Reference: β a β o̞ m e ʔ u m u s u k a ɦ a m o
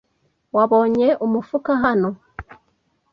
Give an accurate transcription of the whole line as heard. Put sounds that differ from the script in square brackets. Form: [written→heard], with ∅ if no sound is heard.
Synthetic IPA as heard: [β→w] a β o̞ [m→ɲ] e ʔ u m u [s→f] u k a ɦ a [m→n] o